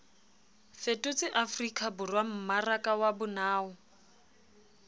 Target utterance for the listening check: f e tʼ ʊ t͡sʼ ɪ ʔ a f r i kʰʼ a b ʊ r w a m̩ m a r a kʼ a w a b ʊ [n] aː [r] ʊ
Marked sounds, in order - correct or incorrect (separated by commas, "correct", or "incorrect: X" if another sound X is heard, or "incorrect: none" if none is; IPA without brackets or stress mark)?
correct, incorrect: none